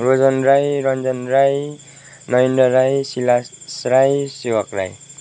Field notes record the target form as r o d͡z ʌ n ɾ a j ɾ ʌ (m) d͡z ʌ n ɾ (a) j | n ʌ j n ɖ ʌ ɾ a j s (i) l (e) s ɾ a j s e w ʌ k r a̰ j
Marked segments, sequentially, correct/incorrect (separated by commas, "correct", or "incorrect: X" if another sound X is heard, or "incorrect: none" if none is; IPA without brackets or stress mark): incorrect: n, correct, correct, incorrect: a